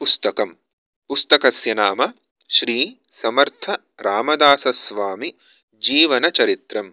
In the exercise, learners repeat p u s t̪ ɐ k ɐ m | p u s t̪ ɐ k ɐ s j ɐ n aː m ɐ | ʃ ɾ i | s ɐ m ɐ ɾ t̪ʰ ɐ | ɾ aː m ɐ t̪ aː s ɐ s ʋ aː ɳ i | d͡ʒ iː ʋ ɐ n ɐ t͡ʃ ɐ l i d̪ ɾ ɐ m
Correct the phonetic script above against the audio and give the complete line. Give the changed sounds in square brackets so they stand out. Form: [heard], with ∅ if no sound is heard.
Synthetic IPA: p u s t̪ ɐ k ɐ m | p u s t̪ ɐ k ɐ s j ɐ n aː m ɐ | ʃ ɾ [iː] | s ɐ m ɐ ɾ t̪ʰ ɐ | ɾ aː m ɐ [d̪] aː s ɐ s ʋ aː [m] i | d͡ʒ iː ʋ ɐ n ɐ t͡ʃ ɐ [ɾ] i [t̪] ɾ ɐ m

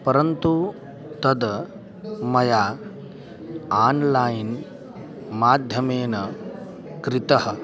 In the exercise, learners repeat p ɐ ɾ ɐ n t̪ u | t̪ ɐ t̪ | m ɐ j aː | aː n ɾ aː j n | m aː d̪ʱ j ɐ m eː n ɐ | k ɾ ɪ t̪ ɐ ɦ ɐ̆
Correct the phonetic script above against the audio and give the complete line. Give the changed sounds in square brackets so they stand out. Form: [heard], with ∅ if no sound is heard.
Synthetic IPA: p ɐ ɾ ɐ n t̪ u | t̪ ɐ [d̪] | m ɐ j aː | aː n [l] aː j n | m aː d̪ʱ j ɐ m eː n ɐ | k ɾ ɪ t̪ ɐ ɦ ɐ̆

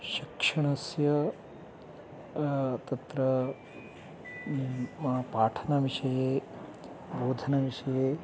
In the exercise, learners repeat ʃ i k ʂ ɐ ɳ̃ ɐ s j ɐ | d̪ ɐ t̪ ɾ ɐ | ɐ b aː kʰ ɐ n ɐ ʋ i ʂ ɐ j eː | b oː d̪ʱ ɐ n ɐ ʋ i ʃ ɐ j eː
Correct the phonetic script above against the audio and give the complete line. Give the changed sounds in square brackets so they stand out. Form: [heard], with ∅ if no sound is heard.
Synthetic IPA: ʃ i k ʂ ɐ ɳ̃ ɐ s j ɐ | [t̪] ɐ t̪ ɾ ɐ | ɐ [p] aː [ʈʰ] ɐ n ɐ ʋ i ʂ ɐ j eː | b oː d̪ʱ ɐ n ɐ ʋ i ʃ ɐ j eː

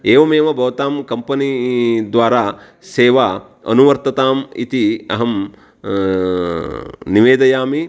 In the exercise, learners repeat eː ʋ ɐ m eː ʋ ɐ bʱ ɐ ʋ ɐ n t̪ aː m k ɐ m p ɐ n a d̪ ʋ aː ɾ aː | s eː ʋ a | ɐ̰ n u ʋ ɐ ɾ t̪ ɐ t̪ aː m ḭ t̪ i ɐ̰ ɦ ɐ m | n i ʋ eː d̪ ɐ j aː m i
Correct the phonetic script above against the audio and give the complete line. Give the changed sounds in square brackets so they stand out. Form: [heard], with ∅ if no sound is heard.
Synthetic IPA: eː ʋ ɐ m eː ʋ ɐ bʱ ɐ ʋ ɐ [∅] t̪ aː m k ɐ m p ɐ n [i] d̪ ʋ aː ɾ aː | s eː ʋ a | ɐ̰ n u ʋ ɐ ɾ t̪ ɐ t̪ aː m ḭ t̪ i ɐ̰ ɦ ɐ m | n i ʋ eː d̪ ɐ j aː m i

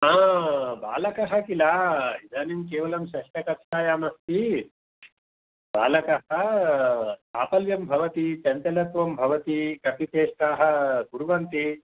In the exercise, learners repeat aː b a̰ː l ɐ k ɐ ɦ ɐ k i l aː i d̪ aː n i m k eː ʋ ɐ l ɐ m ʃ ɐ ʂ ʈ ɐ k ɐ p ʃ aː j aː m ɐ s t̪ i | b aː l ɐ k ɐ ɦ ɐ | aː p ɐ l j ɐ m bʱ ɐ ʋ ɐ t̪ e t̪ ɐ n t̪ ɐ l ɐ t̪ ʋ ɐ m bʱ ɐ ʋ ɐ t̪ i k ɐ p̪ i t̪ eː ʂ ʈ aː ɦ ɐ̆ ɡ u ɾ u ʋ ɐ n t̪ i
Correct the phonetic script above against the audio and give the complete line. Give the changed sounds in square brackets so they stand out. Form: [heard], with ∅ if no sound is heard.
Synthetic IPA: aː b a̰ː l ɐ k ɐ ɦ ɐ k i l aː i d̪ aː n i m k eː ʋ ɐ l ɐ m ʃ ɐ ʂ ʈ ɐ k ɐ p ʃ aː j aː m ɐ s t̪ i | b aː l ɐ k ɐ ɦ ɐ | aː p ɐ l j ɐ m bʱ ɐ ʋ ɐ t̪ [i] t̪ ɐ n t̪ ɐ l ɐ t̪ ʋ ɐ m bʱ ɐ ʋ ɐ t̪ i k ɐ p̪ i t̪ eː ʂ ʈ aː ɦ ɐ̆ ɡ u ɾ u ʋ ɐ n t̪ i

